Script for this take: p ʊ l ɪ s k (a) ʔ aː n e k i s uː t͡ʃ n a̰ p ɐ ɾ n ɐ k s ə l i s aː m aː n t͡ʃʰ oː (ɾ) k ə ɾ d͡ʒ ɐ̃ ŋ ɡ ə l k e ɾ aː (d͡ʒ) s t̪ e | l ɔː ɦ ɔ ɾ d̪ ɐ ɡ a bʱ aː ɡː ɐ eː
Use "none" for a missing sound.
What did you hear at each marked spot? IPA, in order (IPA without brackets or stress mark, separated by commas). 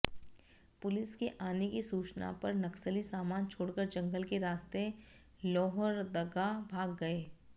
e, ɽ, none